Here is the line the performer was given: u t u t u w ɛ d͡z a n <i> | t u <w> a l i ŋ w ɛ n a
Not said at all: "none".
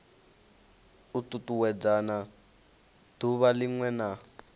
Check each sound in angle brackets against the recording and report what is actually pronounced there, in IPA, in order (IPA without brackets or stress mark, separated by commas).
a, β